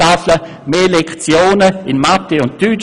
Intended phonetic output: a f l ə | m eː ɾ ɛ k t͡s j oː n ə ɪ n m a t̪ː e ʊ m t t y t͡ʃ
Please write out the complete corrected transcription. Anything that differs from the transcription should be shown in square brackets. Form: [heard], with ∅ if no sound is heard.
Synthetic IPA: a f l ə | m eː [l] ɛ k t͡s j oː n ə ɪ n m a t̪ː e ʊ [n] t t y t͡ʃ

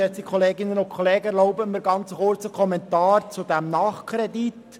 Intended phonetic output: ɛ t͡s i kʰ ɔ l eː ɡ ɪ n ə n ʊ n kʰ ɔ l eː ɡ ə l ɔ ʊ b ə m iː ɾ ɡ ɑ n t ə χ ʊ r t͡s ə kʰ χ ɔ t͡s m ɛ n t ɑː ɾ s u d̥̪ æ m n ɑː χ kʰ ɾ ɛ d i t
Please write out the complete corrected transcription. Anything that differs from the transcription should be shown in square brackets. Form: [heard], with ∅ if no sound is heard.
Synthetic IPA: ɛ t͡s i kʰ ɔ l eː ɡ ɪ n ə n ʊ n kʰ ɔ l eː ɡ ə l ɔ ʊ b ə m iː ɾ ɡ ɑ n [t͡s] ə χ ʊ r t͡s ə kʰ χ ɔ [∅] m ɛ n t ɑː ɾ [t͡s] u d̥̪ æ m n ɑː χ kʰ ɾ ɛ d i t

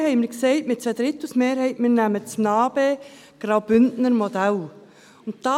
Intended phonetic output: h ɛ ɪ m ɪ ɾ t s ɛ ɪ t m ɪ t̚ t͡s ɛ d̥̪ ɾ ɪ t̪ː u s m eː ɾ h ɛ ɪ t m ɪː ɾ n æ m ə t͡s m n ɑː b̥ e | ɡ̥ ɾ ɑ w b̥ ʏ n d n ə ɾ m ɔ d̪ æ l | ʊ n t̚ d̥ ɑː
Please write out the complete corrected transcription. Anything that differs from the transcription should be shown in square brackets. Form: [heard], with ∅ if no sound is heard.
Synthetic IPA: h ɛ ɪ m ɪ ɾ [k] s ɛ ɪ t m ɪ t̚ t͡s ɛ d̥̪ ɾ ɪ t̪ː u s m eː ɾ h ɛ ɪ t m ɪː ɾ n æ m ə t͡s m n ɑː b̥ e | ɡ̥ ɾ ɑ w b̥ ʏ n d n ə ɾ m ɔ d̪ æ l | ʊ n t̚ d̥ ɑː

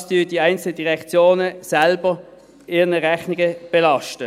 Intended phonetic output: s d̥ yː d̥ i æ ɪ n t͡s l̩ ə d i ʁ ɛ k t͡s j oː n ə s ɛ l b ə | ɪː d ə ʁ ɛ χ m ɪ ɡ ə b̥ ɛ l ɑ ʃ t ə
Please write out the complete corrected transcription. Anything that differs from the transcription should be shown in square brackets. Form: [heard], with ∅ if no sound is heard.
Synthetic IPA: s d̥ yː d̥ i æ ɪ n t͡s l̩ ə d i ʁ ɛ k t͡s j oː n ə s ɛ l b ə | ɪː [n] ə ʁ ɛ χ [n] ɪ ɡ ə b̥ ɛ l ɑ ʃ t ə

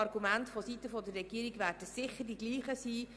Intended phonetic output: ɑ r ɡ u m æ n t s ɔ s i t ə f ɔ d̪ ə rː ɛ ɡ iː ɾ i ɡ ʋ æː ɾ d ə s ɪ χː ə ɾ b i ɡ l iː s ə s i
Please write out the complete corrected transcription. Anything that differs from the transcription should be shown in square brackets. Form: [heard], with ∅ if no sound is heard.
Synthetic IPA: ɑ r ɡ u m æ n t [f] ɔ s i t ə f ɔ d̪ ə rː ɛ ɡ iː ɾ i ɡ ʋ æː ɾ d ə s ɪ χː ə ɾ [d] i ɡ l iː [χ] ə s [iː]

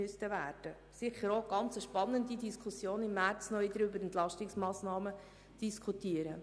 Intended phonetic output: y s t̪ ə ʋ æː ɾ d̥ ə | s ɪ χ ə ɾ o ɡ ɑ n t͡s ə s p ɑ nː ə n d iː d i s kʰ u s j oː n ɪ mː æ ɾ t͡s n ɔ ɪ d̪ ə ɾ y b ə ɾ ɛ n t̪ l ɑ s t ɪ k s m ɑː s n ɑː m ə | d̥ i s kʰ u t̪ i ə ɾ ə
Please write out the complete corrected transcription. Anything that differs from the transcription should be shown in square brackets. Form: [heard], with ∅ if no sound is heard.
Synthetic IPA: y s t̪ ə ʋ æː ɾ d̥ ə | s ɪ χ ə ɾ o ɡ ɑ n t͡s ə [ʃ] p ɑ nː ə n d [i] d i s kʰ u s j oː n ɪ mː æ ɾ t͡s n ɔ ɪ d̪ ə ɾ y b ə ɾ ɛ n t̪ l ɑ [ʃ] t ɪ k s m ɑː s n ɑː m ə | d̥ i s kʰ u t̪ i ə ɾ ə

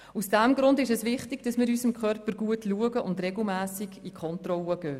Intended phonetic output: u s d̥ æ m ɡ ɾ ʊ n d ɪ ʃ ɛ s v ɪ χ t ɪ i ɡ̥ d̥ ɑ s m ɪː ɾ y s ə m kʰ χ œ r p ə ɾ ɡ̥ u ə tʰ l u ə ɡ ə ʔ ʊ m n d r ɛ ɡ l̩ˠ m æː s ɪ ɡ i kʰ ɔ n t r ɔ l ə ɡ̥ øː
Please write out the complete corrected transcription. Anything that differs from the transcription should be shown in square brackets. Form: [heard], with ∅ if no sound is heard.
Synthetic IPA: u s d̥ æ m ɡ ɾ ʊ n d ɪ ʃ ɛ s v ɪ χ t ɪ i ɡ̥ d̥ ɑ s m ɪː ɾ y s ə m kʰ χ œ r p ə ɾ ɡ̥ u ə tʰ l u ə ɡ ə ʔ ʊ [∅] n d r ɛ ɡ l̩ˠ m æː s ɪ ɡ i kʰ ɔ n t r ɔ l ə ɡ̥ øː

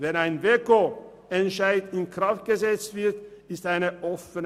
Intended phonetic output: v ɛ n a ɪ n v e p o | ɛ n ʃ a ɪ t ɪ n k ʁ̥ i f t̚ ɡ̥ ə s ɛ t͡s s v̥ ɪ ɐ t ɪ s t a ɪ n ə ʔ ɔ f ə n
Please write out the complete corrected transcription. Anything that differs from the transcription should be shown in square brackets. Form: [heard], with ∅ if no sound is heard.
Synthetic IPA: v ɛ n a ɪ n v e [k] o | ɛ n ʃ a ɪ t ɪ n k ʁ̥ [a] f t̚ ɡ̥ ə [z] ɛ t͡s [t] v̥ ɪ ɐ t ɪ s t a ɪ n ə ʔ ɔ f ə n

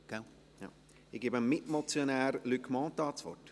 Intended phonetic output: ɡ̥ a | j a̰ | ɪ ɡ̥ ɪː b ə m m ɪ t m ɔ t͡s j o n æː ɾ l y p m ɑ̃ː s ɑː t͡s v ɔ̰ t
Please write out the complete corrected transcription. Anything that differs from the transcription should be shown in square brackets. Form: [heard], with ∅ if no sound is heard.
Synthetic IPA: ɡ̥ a | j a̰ | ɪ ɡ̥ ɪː b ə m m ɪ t m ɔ t͡s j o n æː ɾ l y [k] m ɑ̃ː [t] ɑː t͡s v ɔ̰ t

